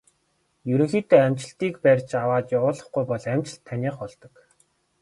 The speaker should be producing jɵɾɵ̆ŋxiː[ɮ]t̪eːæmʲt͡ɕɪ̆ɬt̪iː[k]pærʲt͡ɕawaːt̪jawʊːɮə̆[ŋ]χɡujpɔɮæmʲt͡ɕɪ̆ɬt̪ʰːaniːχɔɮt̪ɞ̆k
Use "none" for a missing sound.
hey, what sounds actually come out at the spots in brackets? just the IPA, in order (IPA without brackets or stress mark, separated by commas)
none, k, none